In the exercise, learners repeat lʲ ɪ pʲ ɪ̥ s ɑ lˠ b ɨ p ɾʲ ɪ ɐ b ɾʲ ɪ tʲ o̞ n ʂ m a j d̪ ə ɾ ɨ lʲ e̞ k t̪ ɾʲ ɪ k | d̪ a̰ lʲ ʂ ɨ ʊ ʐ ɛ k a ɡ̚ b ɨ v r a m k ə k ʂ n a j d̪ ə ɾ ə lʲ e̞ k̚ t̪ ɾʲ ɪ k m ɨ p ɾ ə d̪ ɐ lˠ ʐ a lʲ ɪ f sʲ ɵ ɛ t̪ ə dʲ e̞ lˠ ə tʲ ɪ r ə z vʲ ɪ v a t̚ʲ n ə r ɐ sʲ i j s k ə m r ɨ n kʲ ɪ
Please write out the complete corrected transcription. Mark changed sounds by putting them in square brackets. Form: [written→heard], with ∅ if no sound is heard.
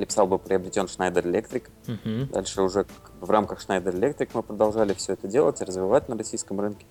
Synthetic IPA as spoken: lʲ ɪ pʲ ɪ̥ s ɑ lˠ b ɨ p ɾʲ ɪ ɐ b ɾʲ ɪ tʲ o̞ n ʂ [m→n] a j d̪ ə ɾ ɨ lʲ e̞ k t̪ ɾʲ ɪ k | d̪ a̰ lʲ ʂ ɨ ʊ ʐ ɛ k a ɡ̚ b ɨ v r a m k ə [k→x] ʂ n a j d̪ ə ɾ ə lʲ e̞ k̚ t̪ ɾʲ ɪ k m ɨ p ɾ ə d̪ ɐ lˠ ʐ a lʲ ɪ f sʲ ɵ ɛ t̪ ə dʲ e̞ lˠ ə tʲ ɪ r ə z vʲ ɪ v a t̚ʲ n ə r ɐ sʲ i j s k ə m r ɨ n kʲ ɪ